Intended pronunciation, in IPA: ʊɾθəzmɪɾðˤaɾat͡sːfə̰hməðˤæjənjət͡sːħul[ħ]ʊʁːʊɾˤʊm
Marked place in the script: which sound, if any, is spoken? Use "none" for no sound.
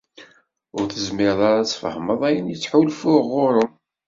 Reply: f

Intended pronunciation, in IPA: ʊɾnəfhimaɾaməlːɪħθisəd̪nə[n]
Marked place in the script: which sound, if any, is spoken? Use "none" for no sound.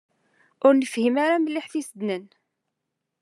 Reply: n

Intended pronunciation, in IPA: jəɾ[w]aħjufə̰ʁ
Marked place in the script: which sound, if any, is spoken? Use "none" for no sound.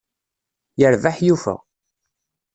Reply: v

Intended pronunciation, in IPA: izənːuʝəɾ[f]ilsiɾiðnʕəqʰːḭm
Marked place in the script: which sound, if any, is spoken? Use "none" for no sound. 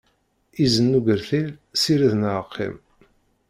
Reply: θ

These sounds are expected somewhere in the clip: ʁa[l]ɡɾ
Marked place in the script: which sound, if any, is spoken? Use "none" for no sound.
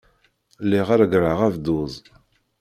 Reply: ɾ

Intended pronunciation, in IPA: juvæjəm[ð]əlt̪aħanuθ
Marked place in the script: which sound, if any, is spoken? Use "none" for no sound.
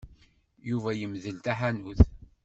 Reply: ð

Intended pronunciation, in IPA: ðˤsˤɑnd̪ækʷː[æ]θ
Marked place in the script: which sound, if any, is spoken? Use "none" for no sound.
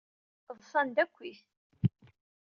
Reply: i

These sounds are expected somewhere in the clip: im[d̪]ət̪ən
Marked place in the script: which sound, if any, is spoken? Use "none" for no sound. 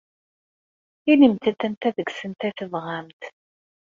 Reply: t̪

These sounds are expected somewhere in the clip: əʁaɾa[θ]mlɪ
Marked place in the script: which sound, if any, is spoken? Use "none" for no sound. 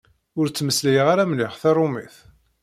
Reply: none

